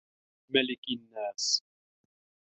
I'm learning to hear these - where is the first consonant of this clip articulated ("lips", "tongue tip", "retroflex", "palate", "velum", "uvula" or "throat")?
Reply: lips